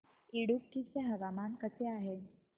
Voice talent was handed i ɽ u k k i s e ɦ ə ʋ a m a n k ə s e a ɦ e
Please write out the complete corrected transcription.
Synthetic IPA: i ɽ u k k i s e ɦ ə ʋ a m a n k ə s e a ɦ e